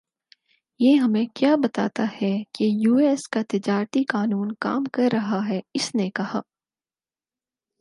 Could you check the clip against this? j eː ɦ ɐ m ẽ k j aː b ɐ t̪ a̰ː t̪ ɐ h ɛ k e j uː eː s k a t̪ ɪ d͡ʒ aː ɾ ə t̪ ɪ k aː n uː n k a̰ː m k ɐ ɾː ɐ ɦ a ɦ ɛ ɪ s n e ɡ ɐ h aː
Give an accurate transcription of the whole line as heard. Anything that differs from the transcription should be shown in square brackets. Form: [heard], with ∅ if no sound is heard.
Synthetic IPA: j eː ɦ ɐ m ẽ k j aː b ɐ t̪ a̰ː t̪ [a] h ɛ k e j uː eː s k a t̪ ɪ d͡ʒ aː ɾ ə t̪ [i] k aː n uː n k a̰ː m k ɐ ɾː ɐ ɦ a ɦ ɛ ɪ s n e [k] ɐ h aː